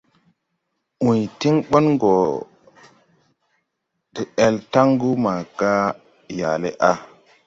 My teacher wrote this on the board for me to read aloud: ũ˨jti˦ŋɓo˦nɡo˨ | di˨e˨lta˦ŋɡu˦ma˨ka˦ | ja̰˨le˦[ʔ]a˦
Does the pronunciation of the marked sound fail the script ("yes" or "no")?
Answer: no